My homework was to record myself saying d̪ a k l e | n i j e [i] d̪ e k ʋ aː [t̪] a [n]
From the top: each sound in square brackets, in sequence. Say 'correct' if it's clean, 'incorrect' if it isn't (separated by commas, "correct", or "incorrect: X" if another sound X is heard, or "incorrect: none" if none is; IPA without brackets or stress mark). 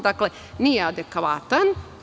incorrect: a, correct, correct